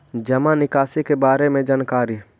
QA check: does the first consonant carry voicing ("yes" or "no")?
yes